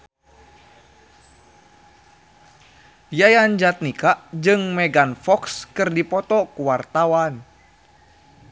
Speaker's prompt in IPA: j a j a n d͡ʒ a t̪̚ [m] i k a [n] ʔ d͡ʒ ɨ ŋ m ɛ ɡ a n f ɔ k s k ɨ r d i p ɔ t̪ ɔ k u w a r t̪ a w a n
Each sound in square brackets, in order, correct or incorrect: incorrect: n, incorrect: none

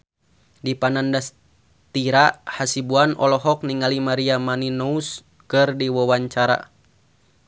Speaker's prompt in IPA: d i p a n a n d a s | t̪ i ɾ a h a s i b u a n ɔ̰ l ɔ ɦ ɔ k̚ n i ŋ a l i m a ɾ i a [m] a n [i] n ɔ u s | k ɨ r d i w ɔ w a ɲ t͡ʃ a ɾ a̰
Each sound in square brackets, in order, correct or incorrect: correct, correct

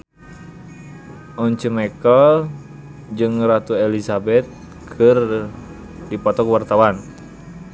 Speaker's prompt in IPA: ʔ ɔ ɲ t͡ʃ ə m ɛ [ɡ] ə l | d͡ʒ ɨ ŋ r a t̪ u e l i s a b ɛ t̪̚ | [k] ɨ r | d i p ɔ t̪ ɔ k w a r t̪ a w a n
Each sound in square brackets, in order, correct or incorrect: incorrect: k, incorrect: kʰ

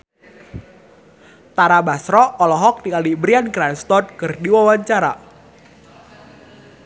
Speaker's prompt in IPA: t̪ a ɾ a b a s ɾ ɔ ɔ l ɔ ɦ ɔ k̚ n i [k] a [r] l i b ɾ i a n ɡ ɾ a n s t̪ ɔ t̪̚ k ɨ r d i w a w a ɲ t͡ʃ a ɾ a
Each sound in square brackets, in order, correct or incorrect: correct, incorrect: none

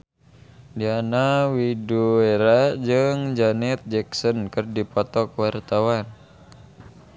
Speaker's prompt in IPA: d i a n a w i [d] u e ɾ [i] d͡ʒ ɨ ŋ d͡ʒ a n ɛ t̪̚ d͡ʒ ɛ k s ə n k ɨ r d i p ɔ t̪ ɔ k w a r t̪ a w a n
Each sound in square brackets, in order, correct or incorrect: correct, incorrect: a

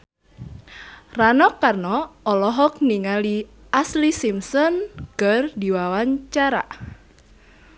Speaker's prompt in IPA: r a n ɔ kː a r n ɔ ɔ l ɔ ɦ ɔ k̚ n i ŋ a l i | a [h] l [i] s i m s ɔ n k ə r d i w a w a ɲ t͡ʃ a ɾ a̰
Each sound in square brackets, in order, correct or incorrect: incorrect: s, correct

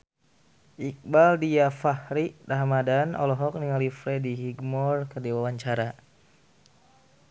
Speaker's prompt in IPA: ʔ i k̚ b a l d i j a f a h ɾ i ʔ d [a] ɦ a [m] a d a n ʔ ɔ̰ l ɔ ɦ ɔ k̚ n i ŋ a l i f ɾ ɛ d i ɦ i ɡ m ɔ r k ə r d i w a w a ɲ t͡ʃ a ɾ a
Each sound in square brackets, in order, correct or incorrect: correct, correct

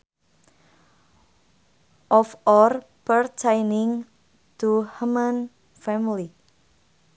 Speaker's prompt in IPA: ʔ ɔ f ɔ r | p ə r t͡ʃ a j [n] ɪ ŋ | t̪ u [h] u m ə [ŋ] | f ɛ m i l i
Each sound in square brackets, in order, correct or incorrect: correct, correct, incorrect: n

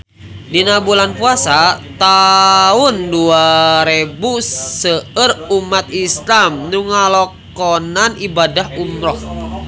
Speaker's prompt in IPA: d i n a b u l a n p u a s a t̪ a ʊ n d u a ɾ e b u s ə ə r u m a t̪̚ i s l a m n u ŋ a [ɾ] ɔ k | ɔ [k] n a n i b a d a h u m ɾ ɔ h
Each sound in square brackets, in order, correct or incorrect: incorrect: l, incorrect: none

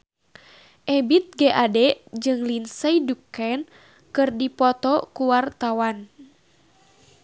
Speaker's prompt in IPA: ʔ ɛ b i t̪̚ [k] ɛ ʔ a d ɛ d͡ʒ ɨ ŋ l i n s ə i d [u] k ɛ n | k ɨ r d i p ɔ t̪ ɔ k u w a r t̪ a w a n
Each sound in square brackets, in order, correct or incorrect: incorrect: ɡ, correct

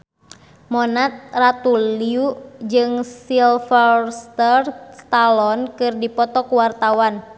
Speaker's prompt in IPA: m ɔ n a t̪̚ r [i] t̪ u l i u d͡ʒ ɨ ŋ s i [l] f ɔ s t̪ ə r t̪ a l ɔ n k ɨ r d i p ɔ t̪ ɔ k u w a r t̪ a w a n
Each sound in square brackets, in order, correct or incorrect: incorrect: a, correct

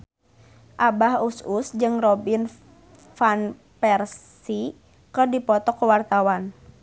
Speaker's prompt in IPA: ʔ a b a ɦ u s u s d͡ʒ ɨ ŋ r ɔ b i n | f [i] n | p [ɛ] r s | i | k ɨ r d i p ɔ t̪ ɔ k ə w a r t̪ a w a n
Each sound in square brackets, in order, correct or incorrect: incorrect: a, correct

